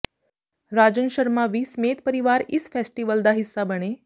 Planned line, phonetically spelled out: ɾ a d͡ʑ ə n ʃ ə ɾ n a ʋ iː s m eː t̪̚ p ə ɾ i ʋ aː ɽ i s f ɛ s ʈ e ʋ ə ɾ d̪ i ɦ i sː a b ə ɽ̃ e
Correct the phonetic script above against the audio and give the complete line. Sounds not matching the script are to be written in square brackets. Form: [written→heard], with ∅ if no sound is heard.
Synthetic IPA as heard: ɾ a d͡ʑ ə n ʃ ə ɾ [n→m] a ʋ iː s m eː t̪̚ p ə ɾ i ʋ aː [ɽ→ɾ] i s f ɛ s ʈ [e→i] ʋ ə [ɾ→l] d̪ [i→a] ɦ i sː a b ə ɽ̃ e